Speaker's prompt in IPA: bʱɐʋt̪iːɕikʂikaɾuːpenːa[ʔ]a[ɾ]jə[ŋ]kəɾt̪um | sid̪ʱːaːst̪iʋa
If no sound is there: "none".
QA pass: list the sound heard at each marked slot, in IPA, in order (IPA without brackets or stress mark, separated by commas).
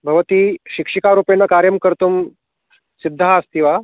k, ɾ, m